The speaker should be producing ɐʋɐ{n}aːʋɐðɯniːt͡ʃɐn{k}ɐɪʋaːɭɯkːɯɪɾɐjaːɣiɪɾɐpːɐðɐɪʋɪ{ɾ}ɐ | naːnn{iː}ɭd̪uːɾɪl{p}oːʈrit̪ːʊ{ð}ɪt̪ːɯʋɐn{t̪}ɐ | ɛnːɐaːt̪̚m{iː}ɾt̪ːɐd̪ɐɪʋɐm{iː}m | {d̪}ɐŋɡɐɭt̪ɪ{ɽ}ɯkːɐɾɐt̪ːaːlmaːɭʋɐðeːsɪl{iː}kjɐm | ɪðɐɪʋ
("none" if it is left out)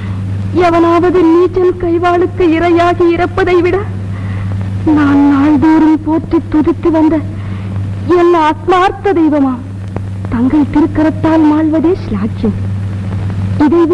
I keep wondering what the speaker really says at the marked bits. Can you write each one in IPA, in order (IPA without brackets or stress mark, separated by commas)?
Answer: n, k, ɽ, aː, p, ð, d̪, aː, aː, t̪, ɾ, aː